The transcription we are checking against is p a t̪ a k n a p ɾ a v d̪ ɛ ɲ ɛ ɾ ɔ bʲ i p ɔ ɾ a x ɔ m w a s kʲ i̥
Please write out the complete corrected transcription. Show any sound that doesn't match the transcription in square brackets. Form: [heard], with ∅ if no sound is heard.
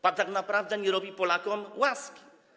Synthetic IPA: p a t̪ a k n a p ɾ a v d̪ ɛ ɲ ɛ ɾ ɔ bʲ i p ɔ [l] a [k] ɔ m w a s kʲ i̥